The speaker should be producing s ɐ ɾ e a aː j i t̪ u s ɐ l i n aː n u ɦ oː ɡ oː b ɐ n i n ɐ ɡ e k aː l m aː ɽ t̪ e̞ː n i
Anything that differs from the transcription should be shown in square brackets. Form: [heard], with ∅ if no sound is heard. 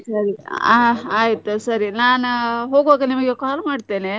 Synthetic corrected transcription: s ɐ ɾ [i] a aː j i t̪ u s ɐ [ɾ] i n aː n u ɦ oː ɡ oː [ɡ] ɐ n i [m] ɐ ɡ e k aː l m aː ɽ t̪ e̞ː n [e]